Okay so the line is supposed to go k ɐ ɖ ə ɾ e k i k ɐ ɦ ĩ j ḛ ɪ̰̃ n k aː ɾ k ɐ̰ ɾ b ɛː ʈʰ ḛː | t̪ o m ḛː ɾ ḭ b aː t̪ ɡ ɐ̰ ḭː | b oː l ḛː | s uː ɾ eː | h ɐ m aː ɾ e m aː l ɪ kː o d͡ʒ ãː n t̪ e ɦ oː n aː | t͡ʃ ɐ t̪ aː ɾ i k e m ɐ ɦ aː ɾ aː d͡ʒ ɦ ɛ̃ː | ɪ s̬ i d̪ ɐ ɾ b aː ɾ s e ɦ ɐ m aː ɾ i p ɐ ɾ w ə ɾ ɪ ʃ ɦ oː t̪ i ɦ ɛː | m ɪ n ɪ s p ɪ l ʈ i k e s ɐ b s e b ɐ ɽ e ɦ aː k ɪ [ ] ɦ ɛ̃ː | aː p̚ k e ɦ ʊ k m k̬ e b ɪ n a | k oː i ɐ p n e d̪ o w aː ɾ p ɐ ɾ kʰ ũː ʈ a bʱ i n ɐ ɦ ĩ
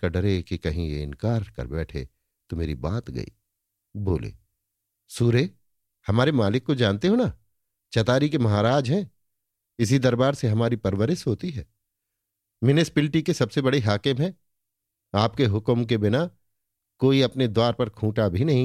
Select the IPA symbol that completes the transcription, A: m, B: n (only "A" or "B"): A